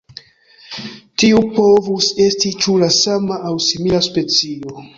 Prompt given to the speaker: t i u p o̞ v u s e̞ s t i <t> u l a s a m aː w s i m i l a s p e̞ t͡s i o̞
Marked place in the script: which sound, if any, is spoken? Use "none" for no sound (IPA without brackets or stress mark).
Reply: t͡ʃ